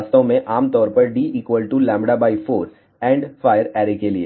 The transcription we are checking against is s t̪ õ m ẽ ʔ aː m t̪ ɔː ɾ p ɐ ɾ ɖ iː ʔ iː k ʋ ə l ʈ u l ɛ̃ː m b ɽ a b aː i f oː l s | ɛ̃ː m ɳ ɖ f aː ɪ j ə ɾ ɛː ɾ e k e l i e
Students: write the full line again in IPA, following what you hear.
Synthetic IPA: s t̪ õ m ẽ ʔ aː m t̪ ɔː ɾ p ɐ ɾ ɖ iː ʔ iː k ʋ ə l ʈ u l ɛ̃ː m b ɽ a b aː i f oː ɾ s | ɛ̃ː ɳ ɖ f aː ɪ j ə ɾ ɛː ɾ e k e l i e